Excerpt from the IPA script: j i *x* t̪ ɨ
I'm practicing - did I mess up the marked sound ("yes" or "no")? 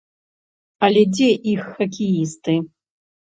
yes